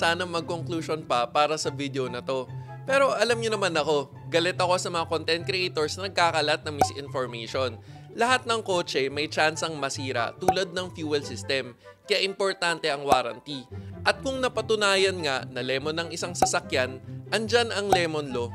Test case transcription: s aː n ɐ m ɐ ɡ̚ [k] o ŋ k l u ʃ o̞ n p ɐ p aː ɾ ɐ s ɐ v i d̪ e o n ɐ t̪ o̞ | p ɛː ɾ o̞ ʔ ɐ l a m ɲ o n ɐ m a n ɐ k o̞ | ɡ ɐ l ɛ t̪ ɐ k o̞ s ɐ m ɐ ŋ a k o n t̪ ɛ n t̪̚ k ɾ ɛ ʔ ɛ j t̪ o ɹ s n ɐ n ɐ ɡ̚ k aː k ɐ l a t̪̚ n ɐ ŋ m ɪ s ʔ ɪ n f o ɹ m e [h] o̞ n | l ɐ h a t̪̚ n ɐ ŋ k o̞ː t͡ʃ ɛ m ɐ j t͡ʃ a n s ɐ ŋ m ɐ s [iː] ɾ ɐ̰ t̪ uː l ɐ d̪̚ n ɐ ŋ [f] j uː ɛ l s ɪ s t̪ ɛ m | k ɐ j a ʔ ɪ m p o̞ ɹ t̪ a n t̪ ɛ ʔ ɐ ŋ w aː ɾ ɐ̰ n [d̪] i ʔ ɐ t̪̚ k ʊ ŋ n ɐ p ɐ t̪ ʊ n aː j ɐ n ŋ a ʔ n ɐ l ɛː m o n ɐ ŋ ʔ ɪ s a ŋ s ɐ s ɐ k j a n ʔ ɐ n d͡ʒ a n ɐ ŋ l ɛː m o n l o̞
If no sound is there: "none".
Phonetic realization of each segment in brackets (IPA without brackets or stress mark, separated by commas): k, ʃ, iː, f, t̪